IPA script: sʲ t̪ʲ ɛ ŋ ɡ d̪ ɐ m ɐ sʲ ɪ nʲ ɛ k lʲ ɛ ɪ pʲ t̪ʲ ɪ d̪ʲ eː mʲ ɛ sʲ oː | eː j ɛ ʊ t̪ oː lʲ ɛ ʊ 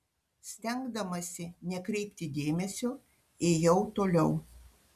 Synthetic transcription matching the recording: sʲ t̪ʲ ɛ ŋ ɡ d̪ ɐ m ɐ sʲ ɪ nʲ ɛ k ɾʲ ɛ ɪ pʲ t̪ʲ ɪ d̪ʲ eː mʲ ɛ sʲ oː | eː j ɛ ʊ t̪ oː lʲ ɛ ʊ